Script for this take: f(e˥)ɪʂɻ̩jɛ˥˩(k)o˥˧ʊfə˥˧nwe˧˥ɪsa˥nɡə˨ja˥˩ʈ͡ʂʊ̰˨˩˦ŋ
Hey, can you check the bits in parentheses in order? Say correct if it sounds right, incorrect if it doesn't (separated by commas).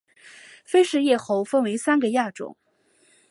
correct, incorrect